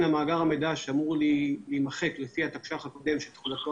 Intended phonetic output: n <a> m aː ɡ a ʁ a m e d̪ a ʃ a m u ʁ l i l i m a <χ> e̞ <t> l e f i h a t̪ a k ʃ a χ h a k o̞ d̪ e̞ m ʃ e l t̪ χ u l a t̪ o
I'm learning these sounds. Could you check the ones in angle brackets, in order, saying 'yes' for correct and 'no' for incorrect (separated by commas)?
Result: yes, yes, no